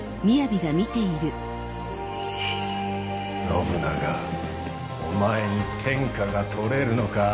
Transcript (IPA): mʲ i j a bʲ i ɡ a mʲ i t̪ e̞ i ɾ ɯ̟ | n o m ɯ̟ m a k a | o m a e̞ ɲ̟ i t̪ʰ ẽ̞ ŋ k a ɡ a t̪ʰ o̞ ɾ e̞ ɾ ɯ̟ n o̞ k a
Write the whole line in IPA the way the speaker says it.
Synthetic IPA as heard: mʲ i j a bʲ i ɡ a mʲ i t̪ e̞ i ɾ ɯ̟ | n o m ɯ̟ n a ɡ a | o m a e̞ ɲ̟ i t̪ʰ ẽ̞ ŋ k a ɡ a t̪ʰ o̞ ɾ e̞ ɾ ɯ̟ n o̞ k a